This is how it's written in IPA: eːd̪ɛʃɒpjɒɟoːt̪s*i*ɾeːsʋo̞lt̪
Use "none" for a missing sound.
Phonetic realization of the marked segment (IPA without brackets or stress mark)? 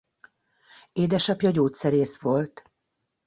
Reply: ɛ